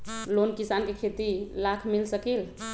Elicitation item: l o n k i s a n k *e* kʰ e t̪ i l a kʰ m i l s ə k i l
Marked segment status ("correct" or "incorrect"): correct